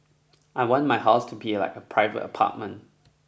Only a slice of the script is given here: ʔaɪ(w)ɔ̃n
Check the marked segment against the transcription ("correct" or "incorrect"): correct